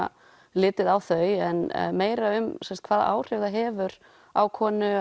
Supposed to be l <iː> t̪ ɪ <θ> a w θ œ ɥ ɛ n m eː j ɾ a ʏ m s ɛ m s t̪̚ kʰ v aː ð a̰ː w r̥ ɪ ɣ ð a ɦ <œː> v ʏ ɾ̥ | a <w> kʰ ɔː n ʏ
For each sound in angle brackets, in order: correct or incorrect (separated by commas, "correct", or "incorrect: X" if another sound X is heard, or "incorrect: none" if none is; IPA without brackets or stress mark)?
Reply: incorrect: ɪː, incorrect: ð, incorrect: ɛː, correct